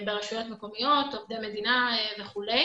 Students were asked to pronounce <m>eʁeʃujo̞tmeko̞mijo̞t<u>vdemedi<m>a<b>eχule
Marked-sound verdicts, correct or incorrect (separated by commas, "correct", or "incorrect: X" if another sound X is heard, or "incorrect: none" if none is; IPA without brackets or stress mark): incorrect: b, incorrect: o, incorrect: n, incorrect: v